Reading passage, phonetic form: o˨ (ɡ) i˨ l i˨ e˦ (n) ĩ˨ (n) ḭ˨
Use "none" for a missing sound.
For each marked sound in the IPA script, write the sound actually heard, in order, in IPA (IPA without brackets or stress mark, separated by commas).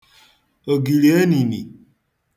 ɡ, n, n